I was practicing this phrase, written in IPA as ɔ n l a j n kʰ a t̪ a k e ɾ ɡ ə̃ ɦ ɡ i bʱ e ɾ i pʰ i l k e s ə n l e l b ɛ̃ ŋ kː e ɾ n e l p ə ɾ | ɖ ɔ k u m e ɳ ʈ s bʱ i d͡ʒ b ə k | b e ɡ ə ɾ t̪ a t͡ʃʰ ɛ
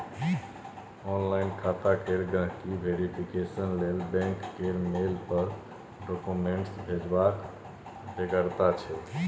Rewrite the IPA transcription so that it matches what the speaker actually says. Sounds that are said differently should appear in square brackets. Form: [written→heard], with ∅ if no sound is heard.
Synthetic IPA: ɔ n l a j n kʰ a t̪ a k e ɾ ɡ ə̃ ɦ [ɡ→k] i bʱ e ɾ i pʰ i [l→∅] k e s ə n l e l b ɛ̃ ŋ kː e ɾ [n→m] e l p ə ɾ | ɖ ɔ k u m e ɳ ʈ s bʱ [i→e] d͡ʒ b [ə→a] k | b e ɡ ə ɾ t̪ a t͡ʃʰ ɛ